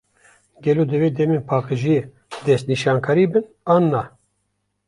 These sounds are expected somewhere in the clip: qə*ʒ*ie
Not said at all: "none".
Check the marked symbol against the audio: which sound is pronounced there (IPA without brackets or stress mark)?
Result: ʒ